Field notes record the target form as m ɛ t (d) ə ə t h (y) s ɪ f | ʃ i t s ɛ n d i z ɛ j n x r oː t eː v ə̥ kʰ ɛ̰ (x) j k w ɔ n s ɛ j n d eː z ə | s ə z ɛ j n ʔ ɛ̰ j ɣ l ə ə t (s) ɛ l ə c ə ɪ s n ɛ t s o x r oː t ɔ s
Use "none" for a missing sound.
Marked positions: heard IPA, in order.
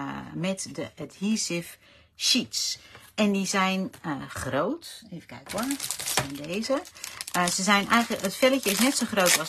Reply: d, i, none, f

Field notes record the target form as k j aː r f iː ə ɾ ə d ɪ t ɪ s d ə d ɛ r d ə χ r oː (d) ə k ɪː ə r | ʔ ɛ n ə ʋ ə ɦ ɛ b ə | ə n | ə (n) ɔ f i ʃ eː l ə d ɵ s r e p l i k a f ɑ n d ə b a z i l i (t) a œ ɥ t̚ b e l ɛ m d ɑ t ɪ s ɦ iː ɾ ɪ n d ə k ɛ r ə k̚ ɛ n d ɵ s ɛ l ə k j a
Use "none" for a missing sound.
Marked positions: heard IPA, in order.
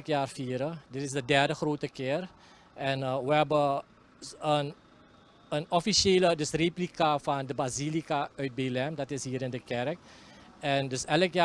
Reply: t, n, k

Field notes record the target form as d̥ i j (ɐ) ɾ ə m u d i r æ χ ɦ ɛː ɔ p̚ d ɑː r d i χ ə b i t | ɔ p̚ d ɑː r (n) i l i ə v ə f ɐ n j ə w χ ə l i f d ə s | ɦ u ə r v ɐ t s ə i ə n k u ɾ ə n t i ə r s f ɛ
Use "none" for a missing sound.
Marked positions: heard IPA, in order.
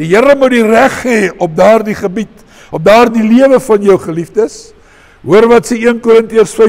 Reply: ə, d

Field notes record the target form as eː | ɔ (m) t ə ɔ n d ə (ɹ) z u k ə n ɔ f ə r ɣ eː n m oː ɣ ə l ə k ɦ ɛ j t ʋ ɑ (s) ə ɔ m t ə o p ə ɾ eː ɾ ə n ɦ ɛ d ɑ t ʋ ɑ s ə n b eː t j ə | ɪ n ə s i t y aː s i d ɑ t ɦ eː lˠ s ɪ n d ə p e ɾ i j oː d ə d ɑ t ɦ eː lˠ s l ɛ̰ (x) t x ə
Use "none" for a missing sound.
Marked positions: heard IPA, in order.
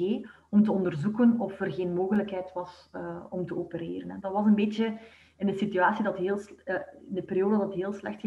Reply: m, r, s, x

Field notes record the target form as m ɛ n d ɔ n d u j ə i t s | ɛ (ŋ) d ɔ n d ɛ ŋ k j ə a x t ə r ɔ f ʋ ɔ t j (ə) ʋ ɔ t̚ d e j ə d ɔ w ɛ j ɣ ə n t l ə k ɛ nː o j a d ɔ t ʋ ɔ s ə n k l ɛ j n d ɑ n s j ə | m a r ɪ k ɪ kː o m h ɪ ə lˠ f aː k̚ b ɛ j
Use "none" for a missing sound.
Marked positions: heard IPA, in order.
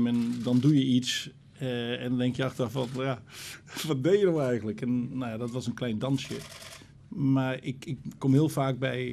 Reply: n, a

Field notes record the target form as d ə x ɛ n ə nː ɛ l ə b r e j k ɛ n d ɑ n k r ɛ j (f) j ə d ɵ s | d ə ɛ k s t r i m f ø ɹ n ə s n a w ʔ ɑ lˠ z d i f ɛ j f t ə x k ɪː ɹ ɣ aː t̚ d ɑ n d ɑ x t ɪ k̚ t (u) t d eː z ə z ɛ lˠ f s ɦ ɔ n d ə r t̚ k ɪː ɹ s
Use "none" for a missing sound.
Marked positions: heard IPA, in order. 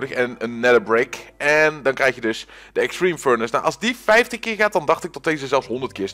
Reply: x, ɔ

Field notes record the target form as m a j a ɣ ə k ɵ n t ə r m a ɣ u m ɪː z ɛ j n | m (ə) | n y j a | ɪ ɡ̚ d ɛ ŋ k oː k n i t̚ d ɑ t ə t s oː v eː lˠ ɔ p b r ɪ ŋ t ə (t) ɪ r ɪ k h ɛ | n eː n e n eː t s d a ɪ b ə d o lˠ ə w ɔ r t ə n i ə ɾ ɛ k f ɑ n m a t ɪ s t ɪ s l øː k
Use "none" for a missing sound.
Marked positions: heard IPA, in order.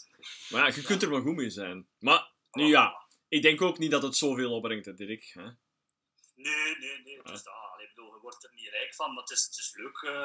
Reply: a, d

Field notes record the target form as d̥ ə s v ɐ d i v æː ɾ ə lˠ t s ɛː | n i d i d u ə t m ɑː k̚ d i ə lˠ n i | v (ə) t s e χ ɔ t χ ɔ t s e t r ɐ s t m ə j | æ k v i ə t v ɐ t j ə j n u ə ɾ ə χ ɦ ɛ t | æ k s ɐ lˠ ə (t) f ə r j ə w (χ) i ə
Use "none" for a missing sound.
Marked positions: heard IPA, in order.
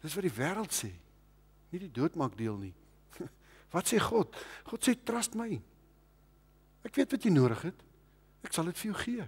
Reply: ɐ, t, χ

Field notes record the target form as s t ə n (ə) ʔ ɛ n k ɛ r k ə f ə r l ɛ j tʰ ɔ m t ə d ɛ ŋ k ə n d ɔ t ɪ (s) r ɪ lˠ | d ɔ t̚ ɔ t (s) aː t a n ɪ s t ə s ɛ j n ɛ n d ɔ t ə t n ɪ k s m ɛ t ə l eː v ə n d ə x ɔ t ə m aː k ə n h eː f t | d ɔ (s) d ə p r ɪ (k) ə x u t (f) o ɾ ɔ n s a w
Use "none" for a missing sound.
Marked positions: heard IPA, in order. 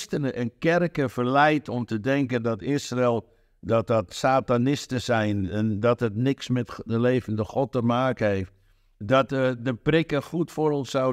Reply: ə, s, s, t, k, f

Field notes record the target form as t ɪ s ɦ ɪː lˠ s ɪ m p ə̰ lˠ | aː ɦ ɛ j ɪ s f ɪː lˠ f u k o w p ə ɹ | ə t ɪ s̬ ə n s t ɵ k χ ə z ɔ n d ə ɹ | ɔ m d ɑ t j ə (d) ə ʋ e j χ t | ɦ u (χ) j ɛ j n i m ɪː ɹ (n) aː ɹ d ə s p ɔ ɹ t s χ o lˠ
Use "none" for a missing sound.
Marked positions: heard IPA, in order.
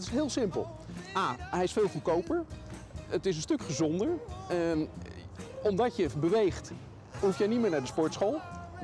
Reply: b, f, n

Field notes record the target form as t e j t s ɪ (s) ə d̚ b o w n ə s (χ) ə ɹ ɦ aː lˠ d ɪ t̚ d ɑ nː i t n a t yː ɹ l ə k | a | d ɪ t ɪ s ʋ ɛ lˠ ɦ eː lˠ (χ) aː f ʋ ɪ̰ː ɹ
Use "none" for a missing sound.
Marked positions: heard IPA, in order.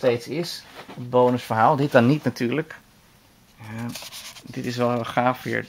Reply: s, f, χ

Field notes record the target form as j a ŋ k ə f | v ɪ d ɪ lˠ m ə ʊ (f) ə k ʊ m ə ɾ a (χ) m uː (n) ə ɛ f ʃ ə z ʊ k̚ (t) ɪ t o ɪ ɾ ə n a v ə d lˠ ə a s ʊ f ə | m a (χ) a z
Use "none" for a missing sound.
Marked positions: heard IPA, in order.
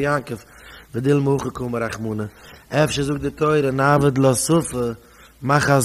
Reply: χ, χ, n, d, χ

